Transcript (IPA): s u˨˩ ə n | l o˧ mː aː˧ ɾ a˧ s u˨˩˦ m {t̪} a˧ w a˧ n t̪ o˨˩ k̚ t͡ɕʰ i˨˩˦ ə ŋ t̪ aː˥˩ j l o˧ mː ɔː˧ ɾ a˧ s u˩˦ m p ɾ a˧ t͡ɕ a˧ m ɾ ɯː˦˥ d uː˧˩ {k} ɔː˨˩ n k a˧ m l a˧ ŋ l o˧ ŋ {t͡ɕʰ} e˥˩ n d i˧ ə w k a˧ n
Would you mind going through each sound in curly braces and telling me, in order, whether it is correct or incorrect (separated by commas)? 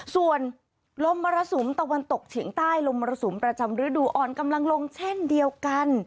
correct, incorrect, correct